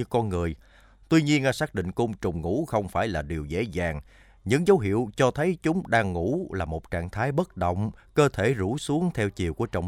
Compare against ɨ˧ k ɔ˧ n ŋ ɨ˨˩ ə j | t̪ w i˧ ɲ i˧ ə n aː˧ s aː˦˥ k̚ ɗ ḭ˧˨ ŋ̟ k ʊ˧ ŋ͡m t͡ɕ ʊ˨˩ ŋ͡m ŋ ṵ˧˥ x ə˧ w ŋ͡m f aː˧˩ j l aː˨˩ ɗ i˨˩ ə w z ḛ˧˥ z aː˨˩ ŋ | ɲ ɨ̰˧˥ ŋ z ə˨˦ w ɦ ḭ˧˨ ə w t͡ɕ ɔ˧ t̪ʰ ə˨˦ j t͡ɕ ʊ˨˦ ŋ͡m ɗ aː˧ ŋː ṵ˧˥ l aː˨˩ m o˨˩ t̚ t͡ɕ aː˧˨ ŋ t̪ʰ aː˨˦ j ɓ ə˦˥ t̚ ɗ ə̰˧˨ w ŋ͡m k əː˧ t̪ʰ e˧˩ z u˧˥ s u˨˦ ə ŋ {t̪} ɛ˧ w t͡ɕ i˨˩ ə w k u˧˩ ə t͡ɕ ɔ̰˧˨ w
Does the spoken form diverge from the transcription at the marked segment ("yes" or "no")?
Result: yes